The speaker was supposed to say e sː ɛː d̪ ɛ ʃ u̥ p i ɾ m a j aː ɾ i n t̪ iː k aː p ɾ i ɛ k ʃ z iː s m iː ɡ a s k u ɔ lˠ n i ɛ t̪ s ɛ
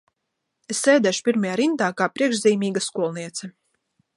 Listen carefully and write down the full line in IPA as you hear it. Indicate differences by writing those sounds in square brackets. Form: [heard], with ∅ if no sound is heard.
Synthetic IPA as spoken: e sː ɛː d̪ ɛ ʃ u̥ p i ɾ m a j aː ɾ i n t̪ [aː] k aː p ɾ i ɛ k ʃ z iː [∅] m iː ɡ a s k u ɔ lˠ n i ɛ t̪ s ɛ